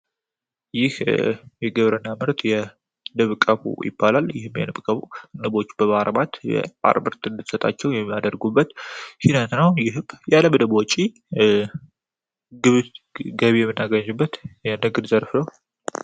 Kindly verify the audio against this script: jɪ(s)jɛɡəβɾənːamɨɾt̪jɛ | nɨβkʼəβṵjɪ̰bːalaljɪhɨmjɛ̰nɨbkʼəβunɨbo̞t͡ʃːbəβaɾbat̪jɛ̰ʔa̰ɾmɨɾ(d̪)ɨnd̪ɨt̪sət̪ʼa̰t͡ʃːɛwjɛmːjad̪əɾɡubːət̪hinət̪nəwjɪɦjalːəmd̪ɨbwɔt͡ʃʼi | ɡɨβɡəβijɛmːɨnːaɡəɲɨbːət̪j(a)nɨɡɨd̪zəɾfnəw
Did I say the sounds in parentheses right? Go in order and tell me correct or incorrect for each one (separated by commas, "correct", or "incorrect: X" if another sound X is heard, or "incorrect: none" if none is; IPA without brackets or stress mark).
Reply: incorrect: h, incorrect: t̪, incorrect: ɛ